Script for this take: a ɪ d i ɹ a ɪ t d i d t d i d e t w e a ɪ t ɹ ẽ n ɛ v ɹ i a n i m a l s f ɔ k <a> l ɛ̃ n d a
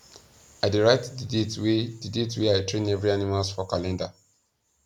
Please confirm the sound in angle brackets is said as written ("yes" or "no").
yes